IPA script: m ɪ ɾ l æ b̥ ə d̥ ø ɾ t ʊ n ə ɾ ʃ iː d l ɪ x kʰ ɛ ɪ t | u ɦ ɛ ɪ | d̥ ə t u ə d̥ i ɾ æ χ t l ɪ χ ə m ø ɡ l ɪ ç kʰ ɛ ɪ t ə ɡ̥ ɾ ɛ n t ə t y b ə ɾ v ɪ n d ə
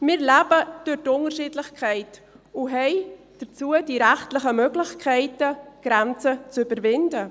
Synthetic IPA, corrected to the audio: m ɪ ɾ l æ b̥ ə d̥ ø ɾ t ʊ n ə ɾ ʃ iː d l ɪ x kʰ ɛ ɪ t | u ɦ ɛ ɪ | d̥ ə t͡s u ə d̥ i ɾ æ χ t l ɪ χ ə m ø ɡ l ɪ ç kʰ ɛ ɪ t ə ɡ̥ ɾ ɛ n t͡s ə t͡s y b ə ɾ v ɪ n d ə